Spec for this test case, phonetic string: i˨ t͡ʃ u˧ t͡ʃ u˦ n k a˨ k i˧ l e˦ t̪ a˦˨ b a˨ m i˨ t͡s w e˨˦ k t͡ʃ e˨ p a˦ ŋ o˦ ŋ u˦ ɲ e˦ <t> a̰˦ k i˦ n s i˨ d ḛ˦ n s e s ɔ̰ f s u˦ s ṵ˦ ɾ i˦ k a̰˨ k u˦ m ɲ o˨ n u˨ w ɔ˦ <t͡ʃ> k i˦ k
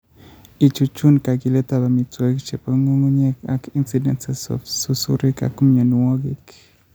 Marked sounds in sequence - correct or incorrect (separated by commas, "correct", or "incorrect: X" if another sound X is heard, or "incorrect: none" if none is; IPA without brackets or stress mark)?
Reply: incorrect: k, incorrect: none